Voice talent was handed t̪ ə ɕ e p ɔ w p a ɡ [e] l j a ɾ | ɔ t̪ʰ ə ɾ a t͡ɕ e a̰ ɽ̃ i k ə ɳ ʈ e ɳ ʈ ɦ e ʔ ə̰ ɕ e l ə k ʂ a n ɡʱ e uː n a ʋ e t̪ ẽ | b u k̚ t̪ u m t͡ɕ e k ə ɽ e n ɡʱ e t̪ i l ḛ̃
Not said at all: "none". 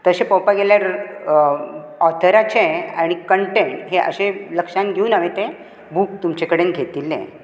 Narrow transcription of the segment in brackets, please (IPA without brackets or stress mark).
e